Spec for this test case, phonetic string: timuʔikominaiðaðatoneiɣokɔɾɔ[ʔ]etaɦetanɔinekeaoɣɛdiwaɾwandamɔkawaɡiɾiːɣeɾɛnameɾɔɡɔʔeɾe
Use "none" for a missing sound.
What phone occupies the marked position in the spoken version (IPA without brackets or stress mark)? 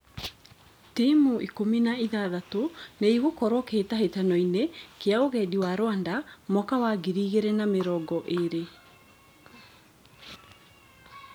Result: k